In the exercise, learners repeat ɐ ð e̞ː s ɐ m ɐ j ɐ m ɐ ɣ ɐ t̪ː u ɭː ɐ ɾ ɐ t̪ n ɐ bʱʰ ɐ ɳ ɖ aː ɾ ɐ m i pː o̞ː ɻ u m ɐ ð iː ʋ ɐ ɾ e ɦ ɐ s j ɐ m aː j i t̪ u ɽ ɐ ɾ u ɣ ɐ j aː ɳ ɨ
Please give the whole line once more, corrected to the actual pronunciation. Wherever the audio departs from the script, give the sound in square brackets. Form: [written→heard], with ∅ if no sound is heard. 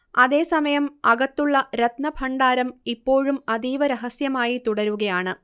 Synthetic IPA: ɐ ð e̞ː s ɐ m ɐ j ɐ m ɐ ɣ ɐ t̪ː u ɭː ɐ ɾ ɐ t̪ n ɐ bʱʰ ɐ ɳ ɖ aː ɾ ɐ m i pː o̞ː ɻ u m ɐ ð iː ʋ ɐ ɾ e ɦ ɐ s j ɐ m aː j i t̪ u ɽ ɐ ɾ u ɣ ɐ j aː ɳ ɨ